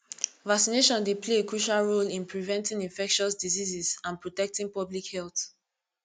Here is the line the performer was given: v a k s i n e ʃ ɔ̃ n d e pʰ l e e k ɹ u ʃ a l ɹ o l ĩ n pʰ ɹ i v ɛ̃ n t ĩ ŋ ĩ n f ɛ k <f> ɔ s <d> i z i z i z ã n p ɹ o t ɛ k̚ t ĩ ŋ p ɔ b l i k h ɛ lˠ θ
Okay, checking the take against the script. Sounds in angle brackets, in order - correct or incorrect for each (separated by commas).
incorrect, correct